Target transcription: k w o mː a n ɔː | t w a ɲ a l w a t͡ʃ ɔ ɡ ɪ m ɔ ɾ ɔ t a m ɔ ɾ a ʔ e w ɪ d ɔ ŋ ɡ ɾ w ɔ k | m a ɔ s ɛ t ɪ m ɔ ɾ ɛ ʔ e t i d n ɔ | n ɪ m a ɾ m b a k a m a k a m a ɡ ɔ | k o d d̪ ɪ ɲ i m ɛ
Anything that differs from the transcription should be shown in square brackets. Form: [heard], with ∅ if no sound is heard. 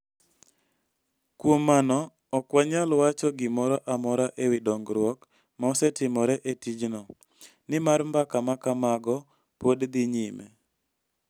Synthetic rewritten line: k w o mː a n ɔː | [k] w a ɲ a l w a t͡ʃ ɔ ɡ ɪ m ɔ ɾ ɔ [ʔ] a m ɔ ɾ a ʔ e w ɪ d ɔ ŋ ɡ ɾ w ɔ k | m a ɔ s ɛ t ɪ m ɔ ɾ ɛ ʔ e t i [d͡ʒ] n ɔ | n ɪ m a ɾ m b a k a m a k a m a ɡ ɔ | [p] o d d̪ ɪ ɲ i m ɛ